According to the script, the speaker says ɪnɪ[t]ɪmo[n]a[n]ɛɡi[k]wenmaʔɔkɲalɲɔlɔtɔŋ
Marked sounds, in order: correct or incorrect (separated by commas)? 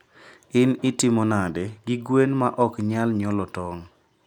correct, correct, incorrect, incorrect